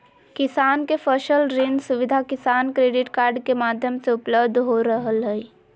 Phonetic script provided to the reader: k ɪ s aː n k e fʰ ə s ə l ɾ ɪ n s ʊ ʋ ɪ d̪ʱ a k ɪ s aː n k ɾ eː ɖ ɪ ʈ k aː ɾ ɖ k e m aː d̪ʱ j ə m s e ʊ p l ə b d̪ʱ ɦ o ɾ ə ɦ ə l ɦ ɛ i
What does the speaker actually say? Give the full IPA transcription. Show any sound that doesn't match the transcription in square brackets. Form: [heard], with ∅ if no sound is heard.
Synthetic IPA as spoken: k ɪ s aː n k e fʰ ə [ʃ] ə l ɾ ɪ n s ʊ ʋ ɪ d̪ʱ a k ɪ s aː n k ɾ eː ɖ ɪ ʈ k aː ɾ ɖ k e m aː d̪ʱ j ə m s e ʊ p l ə b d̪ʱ ɦ o ɾ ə ɦ ə l ɦ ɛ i